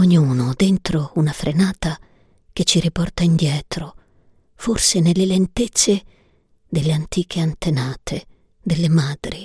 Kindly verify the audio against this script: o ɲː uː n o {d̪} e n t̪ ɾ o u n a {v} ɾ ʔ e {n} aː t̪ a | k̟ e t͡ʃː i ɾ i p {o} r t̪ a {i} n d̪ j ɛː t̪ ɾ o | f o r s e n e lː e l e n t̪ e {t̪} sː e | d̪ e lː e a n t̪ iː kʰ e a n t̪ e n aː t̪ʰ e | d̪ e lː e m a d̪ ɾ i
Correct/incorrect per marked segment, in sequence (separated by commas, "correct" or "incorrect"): correct, incorrect, correct, incorrect, correct, correct